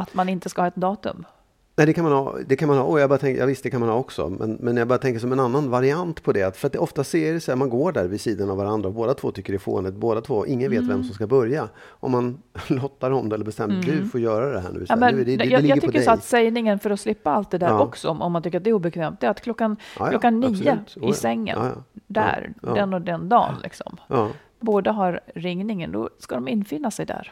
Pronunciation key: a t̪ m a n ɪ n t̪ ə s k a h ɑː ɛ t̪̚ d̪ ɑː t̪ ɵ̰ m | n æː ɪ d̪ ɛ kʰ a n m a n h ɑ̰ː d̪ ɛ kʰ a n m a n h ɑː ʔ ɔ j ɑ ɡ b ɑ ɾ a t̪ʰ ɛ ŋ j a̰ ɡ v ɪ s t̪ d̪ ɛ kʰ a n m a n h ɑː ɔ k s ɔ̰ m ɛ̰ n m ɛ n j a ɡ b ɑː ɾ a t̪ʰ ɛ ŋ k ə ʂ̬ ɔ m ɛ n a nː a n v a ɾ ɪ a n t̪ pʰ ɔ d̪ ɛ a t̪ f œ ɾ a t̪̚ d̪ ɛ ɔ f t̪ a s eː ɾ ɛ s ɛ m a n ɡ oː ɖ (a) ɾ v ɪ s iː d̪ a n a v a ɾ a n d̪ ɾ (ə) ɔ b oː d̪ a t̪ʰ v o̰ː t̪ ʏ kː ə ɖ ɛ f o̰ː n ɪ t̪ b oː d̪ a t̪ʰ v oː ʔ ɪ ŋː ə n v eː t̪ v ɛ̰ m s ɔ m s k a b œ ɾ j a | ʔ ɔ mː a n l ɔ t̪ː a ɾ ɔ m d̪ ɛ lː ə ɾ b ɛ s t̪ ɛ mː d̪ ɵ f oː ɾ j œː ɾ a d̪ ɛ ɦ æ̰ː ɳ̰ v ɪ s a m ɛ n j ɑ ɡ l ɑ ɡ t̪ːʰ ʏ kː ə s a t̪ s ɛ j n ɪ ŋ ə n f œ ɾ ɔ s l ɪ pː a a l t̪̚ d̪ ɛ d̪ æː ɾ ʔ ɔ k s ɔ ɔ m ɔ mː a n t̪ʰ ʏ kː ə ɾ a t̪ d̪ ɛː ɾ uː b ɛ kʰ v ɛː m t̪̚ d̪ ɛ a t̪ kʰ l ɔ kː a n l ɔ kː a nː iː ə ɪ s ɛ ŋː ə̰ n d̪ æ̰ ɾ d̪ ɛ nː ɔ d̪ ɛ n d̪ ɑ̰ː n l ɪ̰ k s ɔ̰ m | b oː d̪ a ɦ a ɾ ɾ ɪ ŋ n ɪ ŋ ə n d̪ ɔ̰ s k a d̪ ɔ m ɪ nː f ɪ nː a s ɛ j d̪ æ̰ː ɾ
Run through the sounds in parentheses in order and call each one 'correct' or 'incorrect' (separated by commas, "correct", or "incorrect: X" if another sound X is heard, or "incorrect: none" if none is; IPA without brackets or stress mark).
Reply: incorrect: æ, incorrect: a